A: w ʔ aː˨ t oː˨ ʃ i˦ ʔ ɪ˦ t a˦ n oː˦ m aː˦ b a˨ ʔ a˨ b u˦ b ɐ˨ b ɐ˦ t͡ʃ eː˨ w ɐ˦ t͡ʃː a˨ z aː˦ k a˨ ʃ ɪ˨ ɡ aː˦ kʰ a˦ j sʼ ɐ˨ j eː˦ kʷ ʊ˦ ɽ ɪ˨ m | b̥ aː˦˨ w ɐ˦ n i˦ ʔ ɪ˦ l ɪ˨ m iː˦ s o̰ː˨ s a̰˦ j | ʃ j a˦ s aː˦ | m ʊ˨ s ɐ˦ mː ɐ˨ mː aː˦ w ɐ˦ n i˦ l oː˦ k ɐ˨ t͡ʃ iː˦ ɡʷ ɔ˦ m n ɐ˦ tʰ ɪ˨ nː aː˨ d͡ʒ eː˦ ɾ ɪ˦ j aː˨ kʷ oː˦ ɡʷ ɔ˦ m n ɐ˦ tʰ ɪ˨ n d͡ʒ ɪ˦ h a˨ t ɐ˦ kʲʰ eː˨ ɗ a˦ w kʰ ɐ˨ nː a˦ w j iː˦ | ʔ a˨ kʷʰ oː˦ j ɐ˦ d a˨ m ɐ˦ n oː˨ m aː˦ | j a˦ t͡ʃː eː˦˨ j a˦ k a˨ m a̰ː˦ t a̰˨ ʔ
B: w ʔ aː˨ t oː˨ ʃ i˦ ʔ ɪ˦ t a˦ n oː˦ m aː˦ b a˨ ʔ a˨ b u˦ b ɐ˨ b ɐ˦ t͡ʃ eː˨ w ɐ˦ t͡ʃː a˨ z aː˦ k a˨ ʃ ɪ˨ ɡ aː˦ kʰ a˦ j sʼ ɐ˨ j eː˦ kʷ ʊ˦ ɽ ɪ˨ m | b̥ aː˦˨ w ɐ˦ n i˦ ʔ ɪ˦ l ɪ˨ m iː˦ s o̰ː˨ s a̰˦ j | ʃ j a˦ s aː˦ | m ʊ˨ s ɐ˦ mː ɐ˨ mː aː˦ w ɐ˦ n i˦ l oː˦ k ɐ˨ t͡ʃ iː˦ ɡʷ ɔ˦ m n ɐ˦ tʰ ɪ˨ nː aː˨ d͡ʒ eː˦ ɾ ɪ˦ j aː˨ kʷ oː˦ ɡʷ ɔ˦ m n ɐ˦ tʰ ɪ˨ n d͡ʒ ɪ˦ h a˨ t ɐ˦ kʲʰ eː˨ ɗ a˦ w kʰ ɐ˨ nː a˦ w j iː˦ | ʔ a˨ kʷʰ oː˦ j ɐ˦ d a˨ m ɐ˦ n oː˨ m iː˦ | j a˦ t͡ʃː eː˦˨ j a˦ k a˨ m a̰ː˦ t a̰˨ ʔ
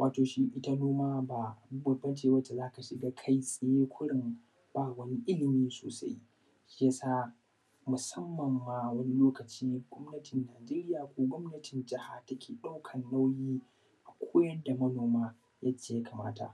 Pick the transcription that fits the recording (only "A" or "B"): A